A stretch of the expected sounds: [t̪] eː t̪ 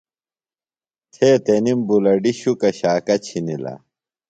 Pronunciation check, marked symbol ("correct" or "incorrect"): incorrect